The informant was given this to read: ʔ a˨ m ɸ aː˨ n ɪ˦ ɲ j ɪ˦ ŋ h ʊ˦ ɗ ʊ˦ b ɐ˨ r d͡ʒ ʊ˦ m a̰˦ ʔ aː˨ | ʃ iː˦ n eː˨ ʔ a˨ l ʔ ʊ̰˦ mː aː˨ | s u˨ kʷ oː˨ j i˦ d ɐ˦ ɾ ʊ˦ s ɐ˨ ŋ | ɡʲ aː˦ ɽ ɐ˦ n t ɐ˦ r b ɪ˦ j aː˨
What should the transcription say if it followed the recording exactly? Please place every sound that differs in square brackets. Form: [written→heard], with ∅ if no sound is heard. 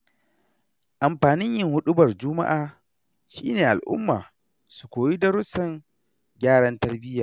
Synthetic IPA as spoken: ʔ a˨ m ɸ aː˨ n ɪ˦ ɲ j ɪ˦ ŋ h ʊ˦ ɗ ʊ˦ b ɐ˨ r d͡ʒ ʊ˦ m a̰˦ ʔ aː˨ | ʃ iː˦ n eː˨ ʔ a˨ l ʔ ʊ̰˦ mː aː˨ | s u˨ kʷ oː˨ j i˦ d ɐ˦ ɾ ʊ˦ s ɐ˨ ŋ | ɡʲ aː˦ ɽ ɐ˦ n t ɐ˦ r b ɪ˦ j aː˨